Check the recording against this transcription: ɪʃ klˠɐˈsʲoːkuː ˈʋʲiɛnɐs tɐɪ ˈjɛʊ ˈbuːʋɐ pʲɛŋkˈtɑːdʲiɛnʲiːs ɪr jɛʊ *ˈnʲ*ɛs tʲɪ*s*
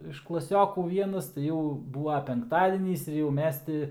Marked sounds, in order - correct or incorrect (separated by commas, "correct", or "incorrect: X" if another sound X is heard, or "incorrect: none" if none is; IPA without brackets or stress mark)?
incorrect: mʲ, incorrect: none